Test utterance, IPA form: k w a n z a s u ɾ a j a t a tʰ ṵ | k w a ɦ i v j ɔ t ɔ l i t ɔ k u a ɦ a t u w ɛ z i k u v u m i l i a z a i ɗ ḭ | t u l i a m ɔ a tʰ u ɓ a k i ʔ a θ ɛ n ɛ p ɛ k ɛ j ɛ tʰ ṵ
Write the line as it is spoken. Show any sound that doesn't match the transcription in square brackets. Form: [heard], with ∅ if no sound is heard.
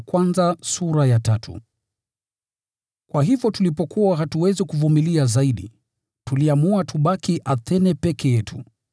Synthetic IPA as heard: k w a n z a s u ɾ a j a t a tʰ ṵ | k w a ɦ i v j ɔ t [u] l i [p] ɔ k u a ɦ a t u w ɛ z i k u v u m i l i a z a i ɗ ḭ | t u l i a m [u] a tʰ u ɓ a k i ʔ a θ ɛ n ɛ p ɛ k ɛ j ɛ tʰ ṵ